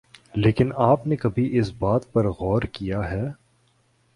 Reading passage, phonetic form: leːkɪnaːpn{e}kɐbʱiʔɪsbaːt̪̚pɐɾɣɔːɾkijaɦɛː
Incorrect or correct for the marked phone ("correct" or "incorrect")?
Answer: correct